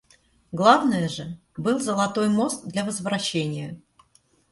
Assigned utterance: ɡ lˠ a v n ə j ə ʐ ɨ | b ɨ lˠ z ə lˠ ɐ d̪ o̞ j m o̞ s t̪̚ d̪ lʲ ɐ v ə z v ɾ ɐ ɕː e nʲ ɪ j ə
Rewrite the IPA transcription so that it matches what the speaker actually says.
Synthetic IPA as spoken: ɡ lˠ a v n ə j ə ʐ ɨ | b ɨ lˠ z ə lˠ ɐ t̪ o̞ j m o̞ s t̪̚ d̪ lʲ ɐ v ə z v ɾ ɐ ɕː e nʲ ɪ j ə

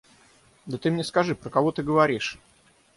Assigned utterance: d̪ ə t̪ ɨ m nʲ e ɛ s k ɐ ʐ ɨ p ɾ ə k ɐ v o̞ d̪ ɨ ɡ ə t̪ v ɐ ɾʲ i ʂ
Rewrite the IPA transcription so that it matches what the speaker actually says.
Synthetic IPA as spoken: d̪ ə t̪ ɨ m nʲ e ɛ s k ɐ ʐ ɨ p ɾ ə k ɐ v o̞ t̪ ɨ ɡ ə v ɐ ɾʲ i ʂ

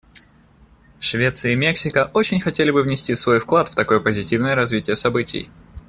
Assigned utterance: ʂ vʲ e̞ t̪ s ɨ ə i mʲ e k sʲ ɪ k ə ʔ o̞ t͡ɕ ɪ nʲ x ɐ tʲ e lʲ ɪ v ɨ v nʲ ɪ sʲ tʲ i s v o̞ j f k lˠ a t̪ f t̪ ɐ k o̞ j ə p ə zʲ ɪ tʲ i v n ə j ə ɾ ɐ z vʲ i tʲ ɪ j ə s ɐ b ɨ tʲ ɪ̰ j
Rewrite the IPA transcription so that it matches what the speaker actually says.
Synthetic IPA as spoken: ʂ vʲ e̞ t̪ s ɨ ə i mʲ e k sʲ ɪ k ə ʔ o̞ t͡ɕ ɪ nʲ x ɐ tʲ e lʲ ɪ b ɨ v nʲ ɪ sʲ tʲ i s v o̞ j f k lˠ a t̪ f t̪ ɐ k o̞ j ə p ə zʲ ɪ tʲ i v n ə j ə ɾ ɐ z vʲ i tʲ ɪ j ə s ɐ b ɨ tʲ ɪ̰ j

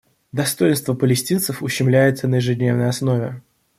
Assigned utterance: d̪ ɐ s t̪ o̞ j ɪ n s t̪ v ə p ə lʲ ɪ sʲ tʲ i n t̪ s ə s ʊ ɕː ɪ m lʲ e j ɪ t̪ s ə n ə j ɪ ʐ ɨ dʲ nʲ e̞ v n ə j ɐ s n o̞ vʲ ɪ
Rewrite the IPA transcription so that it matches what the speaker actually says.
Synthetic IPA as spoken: d̪ ɐ s t̪ o̞ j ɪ n s t̪ v ə p ə lʲ ɪ sʲ tʲ i n t̪ s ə f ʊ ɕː ɪ m lʲ æ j ɪ t̪ s ə n ə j ɪ ʐ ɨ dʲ nʲ e̞ v n ə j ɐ s n o̞ vʲ ɪ

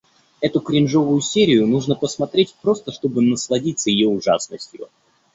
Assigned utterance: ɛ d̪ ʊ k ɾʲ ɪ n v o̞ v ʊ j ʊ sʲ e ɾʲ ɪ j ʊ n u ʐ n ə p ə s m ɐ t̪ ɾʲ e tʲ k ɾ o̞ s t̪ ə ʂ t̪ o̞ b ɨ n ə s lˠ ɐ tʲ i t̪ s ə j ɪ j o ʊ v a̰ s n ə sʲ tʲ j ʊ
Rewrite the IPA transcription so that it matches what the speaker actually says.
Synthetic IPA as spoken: ɛ t̪ ʊ k ɾʲ ɪ n ʐ o̞ v ʊ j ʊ sʲ e ɾʲ ɪ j ʊ n u ʐ n ə p ə s m ɐ t̪ ɾʲ e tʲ p ɾ o̞ s t̪ ə ʂ t̪ o̞ b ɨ n ə s lˠ ɐ dʲ i t̪ s ə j ɪ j o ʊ ʐ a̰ s n ə sʲ tʲ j ʊ

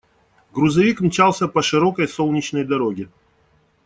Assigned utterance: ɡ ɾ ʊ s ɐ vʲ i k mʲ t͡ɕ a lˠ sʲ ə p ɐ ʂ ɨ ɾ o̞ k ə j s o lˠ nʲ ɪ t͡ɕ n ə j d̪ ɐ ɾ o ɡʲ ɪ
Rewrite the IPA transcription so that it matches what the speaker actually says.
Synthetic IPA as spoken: ɡ ɾ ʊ z ɐ vʲ i k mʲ t͡ɕ a lˠ sʲ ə p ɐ ʂ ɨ ɾ o̞ k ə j s o lˠ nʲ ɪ t͡ɕ n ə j d̪ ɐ ɾ o ɡʲ ɪ

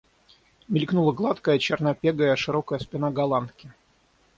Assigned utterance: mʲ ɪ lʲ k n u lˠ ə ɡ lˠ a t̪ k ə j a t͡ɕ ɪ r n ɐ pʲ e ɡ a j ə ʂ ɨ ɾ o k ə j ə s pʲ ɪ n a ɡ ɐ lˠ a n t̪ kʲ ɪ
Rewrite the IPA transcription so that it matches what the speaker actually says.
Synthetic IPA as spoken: mʲ ɪ lʲ k n u lˠ ə ɡ lˠ a t̪ k ə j ə t͡ɕ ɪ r n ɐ pʲ e ɡ ə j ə ʂ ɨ ɾ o k ə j ə s pʲ ɪ n a ɡ ɐ lˠ a n t̪ kʲ ɪ

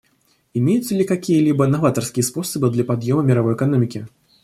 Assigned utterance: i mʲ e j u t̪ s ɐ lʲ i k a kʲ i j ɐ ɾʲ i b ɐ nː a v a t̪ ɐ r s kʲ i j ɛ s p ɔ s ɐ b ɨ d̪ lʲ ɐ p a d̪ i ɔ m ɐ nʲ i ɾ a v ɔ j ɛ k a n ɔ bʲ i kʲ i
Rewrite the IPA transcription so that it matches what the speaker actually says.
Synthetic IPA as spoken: i mʲ e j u t̪ s ɐ lʲ i k a kʲ i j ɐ lʲ i b ɐ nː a v a t̪ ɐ r s kʲ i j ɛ s p ɔ s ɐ b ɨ d̪ lʲ ɐ p a d̪ j ɔ m ɐ mʲ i ɾ a v ɔ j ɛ k a n ɔ mʲ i kʲ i

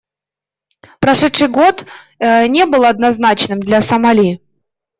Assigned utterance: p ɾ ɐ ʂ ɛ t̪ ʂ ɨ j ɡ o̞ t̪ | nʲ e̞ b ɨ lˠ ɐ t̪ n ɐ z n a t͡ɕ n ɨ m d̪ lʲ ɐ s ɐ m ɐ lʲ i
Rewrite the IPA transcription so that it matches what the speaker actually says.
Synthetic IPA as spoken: p ɾ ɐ ʂ ɛ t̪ ʂ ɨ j ɡ o̞ t̪ | nʲ e̞ b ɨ lˠ ɐ d̪ n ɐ z n a t͡ɕ n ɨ m d̪ lʲ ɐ s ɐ m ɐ lʲ i

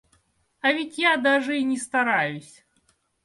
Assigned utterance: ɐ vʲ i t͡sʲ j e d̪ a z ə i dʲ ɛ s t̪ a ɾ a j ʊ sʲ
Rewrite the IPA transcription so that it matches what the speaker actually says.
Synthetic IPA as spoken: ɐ vʲ i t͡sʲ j a d̪ a ʐ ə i nʲ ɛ s t̪ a ɾ a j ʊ sʲ

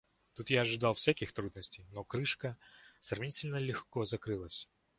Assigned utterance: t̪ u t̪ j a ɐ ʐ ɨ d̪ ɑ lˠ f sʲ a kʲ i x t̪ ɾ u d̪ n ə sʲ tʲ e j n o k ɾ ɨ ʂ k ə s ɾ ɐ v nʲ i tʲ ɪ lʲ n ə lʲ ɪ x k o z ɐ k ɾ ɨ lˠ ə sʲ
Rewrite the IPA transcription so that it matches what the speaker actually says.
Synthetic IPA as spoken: t̪ u t̪ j a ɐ ʐ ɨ d̪ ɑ lˠ f sʲ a kʲ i x t̪ ɾ u d̪ n ə sʲ tʲ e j n o k ɾ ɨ ʂ k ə s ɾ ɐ v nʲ i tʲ ɪ lʲ n ə lʲ ɪ x k o z ɐ k ɾ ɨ lˠ ə sʲ

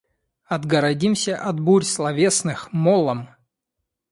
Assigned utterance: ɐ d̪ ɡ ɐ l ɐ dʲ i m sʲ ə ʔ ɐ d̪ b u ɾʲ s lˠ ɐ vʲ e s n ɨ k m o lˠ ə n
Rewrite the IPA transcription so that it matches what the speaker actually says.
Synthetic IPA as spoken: ɐ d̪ ɡ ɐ ɾ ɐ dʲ i m sʲ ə ʔ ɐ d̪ b u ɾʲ s lˠ ɐ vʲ e s n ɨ x m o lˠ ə m

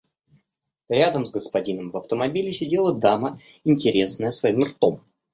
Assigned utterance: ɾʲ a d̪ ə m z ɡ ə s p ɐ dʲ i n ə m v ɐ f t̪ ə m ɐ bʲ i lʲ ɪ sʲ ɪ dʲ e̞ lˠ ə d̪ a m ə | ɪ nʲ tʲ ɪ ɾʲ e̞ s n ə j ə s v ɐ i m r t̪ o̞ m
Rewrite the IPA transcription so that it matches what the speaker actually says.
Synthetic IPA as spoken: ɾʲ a d̪ ə m z ɡ ə s p ɐ dʲ i n ə m v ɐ f t̪ ə m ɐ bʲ i lʲ ɪ sʲ ɪ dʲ e̞ lˠ ə d̪ a m ə | ɪ nʲ tʲ ɪ ɾʲ e̞ s n ə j ə s v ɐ i m r t̪ o̞ m

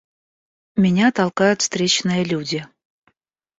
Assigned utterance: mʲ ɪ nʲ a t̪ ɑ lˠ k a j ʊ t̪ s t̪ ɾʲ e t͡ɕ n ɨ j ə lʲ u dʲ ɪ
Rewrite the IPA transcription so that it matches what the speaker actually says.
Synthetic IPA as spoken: mʲ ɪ nʲ a t̪ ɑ lˠ k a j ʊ t̪ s t̪ ɾʲ e t͡ɕ n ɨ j ə lʲ u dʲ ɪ

